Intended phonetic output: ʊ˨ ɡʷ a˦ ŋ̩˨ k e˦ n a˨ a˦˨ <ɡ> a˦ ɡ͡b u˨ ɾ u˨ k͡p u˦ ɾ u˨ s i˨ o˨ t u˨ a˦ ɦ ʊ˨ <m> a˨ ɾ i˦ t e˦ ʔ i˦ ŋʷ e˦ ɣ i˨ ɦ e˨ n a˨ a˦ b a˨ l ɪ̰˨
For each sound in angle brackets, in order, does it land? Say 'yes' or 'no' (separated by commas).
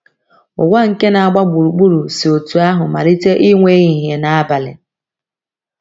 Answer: no, yes